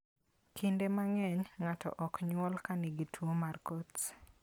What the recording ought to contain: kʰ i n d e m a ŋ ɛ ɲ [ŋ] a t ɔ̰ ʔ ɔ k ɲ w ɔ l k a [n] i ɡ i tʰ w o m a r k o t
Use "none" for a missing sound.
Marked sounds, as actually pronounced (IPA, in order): ŋ, n

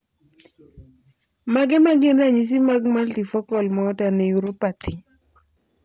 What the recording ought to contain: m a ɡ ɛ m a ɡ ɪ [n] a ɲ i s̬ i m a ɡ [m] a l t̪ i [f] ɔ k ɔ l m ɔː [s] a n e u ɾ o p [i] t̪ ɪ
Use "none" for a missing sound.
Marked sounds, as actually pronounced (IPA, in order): n, m, f, t, a

